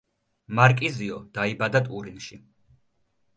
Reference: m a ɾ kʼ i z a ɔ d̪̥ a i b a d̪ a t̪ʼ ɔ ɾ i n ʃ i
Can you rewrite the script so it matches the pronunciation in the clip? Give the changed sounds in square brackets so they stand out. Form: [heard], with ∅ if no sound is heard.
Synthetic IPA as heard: m a ɾ kʼ i z [i] ɔ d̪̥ a i b a d̪ a t̪ʼ [u] ɾ i n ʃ i